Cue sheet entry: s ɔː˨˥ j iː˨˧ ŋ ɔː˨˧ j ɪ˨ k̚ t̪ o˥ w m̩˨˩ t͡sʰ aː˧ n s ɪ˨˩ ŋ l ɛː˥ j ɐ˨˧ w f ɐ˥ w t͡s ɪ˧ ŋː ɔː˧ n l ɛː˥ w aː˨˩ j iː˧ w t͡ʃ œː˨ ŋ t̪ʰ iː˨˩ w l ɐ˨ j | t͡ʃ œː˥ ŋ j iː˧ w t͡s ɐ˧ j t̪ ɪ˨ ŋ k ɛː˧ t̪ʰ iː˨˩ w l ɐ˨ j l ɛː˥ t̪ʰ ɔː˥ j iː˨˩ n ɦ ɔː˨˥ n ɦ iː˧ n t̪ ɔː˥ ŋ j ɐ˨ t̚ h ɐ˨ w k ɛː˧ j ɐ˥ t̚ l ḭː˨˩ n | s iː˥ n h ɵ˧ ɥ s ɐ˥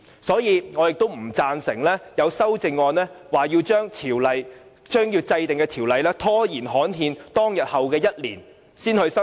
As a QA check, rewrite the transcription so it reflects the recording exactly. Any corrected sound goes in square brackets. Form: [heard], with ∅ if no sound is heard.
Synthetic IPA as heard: s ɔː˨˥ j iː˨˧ ŋ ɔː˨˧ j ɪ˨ k̚ t̪ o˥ w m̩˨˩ [t͡s] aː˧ n s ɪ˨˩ ŋ l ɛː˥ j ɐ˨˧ w [s] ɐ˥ w t͡s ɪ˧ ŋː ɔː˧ n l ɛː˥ w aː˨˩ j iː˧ w t͡ʃ [œː˥] ŋ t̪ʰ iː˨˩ w l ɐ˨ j | t͡ʃ œː˥ ŋ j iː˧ w t͡s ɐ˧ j t̪ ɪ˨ ŋ k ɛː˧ t̪ʰ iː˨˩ w l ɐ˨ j l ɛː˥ t̪ʰ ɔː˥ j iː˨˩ n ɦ ɔː˨˥ n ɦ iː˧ n t̪ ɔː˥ ŋ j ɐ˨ t̚ h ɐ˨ w k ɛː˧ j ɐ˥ t̚ l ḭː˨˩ n | s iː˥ n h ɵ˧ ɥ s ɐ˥